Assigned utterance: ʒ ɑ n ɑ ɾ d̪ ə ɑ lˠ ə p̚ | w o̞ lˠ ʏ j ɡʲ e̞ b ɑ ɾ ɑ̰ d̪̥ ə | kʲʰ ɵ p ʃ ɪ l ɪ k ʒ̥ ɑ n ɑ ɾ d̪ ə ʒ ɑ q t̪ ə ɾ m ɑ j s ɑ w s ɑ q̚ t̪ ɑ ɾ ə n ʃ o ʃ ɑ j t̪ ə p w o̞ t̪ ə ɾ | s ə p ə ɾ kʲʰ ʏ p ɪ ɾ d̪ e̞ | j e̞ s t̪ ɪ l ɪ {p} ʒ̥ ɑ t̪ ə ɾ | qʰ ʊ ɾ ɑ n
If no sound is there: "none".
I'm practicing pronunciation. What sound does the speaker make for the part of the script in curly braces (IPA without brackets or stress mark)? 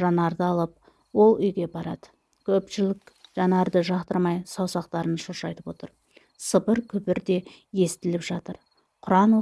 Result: p